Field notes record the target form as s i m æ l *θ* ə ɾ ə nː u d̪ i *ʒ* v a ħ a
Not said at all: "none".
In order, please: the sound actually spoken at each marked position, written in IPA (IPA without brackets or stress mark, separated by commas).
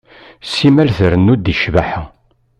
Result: θ, ʃ